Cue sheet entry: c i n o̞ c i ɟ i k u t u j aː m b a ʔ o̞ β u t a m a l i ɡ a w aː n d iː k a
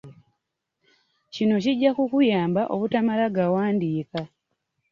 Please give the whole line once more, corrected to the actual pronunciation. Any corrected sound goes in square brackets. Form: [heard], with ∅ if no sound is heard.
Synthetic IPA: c i n o̞ c i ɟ [a] k u [k] u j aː m b a ʔ o̞ β u t a m a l [a] ɡ a w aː n d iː k a